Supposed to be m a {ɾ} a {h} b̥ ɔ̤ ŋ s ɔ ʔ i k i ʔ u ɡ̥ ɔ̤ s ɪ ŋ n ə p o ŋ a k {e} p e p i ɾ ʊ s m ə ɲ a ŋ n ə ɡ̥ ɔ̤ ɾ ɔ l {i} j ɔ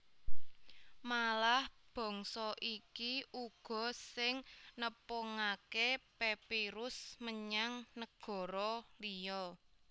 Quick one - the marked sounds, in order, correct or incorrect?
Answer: incorrect: l, correct, correct, correct

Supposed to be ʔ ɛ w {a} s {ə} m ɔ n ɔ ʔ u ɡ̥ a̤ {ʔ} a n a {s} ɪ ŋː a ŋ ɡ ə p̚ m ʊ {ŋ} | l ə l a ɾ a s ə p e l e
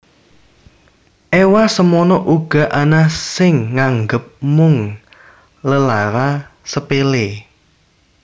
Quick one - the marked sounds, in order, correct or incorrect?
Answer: correct, correct, correct, correct, correct

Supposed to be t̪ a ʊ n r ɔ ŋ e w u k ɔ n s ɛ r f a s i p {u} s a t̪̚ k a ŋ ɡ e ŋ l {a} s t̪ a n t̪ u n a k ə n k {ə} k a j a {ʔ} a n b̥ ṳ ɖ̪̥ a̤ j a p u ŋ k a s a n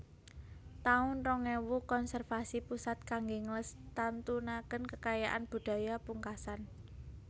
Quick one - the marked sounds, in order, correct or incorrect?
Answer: correct, incorrect: ə, correct, correct

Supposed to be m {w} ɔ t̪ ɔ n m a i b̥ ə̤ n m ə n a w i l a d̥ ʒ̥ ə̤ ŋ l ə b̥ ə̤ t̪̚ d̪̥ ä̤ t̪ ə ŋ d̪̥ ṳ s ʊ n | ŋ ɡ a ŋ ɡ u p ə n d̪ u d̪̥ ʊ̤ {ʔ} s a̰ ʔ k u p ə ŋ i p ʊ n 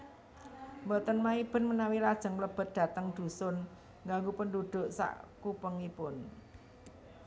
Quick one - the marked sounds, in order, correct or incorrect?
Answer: incorrect: b, correct

